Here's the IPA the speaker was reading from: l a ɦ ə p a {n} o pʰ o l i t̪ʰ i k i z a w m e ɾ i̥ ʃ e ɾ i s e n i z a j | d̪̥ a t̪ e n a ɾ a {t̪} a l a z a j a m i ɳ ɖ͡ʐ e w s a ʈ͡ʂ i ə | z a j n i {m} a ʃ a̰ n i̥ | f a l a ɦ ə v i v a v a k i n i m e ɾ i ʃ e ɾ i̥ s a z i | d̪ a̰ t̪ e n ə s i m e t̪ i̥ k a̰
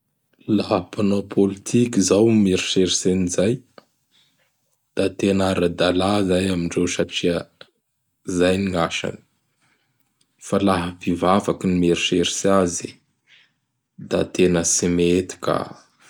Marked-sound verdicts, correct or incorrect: correct, incorrect: d̪, incorrect: ŋ

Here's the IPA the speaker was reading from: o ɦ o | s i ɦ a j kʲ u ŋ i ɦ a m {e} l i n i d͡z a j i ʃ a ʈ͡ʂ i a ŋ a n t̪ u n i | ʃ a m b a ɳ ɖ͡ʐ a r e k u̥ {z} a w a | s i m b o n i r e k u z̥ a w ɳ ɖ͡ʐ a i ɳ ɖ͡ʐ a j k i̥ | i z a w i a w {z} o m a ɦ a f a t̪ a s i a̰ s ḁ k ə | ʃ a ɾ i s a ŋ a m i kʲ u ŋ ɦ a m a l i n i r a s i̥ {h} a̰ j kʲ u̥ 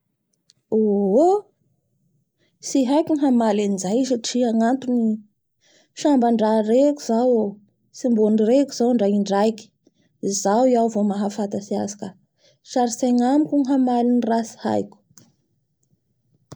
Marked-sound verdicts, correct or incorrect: incorrect: a, correct, incorrect: v, correct

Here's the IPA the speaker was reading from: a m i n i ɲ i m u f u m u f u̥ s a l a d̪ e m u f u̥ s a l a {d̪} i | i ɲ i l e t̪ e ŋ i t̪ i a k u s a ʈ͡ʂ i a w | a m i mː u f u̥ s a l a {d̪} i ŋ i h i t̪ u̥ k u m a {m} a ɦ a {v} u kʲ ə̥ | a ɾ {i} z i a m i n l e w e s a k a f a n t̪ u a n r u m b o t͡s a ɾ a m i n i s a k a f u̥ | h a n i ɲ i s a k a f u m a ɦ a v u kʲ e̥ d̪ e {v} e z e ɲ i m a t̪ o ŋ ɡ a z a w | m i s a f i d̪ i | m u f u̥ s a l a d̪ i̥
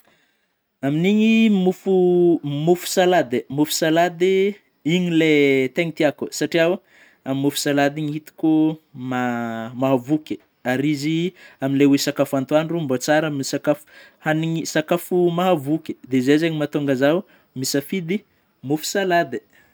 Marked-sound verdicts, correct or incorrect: correct, correct, correct, correct, correct, incorrect: z

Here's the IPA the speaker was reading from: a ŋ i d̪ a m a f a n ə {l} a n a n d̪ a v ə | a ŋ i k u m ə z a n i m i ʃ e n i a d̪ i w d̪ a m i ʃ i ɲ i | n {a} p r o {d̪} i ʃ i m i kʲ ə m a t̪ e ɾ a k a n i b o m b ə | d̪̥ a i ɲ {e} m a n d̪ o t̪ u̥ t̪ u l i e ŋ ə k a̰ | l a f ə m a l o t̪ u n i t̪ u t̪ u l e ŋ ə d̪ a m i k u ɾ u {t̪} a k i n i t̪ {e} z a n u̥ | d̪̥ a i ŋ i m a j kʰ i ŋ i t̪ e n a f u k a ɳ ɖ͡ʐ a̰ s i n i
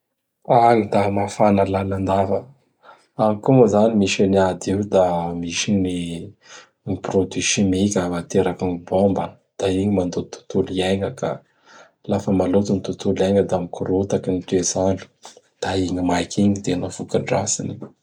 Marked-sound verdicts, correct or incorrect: correct, incorrect: i, correct, incorrect: i, correct, correct

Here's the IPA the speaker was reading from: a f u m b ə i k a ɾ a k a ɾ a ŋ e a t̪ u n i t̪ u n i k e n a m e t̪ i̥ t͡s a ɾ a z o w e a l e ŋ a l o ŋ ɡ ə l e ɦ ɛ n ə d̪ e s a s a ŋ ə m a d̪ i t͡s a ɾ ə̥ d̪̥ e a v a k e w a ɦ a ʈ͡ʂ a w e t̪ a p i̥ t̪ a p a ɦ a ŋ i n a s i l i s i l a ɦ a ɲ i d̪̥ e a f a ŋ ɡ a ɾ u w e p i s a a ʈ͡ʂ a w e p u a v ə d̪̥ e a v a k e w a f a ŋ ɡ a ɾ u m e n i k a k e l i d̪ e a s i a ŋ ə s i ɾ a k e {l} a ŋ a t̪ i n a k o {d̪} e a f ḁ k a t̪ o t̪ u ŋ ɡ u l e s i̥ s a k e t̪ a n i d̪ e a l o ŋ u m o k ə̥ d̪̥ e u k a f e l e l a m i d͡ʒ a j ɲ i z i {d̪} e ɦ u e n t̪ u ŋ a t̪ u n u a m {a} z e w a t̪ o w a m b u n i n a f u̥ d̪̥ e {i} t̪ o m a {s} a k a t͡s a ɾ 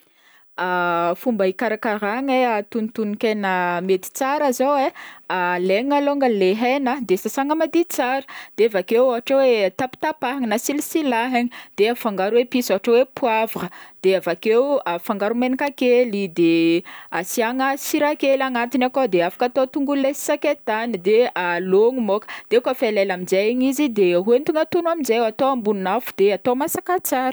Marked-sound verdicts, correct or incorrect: correct, correct, correct, incorrect: i, incorrect: a, correct

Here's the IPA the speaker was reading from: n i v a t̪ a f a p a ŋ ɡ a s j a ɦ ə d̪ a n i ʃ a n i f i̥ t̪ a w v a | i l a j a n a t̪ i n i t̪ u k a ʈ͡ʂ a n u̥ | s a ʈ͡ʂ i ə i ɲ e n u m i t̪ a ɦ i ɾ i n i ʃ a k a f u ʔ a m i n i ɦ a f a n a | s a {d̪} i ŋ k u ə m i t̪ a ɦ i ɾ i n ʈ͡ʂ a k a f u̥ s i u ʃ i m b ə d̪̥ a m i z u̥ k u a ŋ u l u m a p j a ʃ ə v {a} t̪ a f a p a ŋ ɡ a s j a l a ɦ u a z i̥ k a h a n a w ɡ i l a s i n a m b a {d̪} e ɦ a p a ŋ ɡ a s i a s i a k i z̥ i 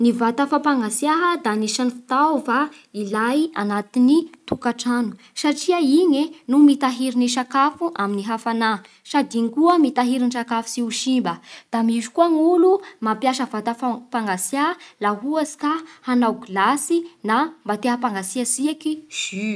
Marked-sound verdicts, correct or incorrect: correct, correct, incorrect: t̪

